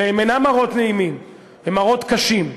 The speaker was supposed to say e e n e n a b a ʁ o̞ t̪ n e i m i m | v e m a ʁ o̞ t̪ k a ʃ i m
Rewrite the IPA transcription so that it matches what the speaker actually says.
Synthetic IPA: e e m e n a m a ʁ o̞ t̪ n e i m i m | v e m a ʁ o̞ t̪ k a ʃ i m